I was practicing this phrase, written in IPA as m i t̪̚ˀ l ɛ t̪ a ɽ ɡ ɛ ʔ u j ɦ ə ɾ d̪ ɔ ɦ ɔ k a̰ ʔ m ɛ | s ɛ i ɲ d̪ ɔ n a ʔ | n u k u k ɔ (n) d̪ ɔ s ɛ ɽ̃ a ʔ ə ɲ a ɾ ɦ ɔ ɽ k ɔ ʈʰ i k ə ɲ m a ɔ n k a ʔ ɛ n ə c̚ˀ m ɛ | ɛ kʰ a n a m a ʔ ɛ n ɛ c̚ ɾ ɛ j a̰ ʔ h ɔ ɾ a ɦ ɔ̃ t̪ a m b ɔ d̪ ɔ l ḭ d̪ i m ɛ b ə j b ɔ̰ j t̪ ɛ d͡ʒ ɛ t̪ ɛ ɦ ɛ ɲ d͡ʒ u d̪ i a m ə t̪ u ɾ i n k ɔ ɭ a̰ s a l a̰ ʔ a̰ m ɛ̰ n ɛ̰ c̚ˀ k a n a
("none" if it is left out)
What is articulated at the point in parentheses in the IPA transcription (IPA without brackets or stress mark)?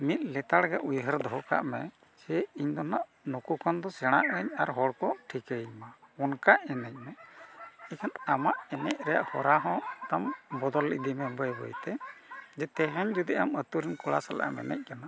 n